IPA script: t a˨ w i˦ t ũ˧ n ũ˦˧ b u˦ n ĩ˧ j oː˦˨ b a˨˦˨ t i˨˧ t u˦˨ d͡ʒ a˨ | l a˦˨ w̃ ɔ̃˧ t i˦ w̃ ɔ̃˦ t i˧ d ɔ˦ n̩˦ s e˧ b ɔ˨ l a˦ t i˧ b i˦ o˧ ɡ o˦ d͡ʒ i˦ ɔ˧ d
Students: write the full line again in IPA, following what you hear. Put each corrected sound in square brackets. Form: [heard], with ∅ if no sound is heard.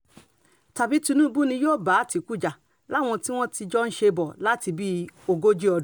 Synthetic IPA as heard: t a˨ [b] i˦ t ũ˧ n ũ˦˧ b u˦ n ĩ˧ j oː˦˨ b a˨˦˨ t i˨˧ [k] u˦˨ d͡ʒ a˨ | l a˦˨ w̃ ɔ̃˧ t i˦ w̃ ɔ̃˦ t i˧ [d͡ʒ] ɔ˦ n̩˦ [ʃ] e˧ b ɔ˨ l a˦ t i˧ b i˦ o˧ ɡ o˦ d͡ʒ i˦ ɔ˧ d